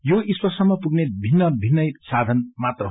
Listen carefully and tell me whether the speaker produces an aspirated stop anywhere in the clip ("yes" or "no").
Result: no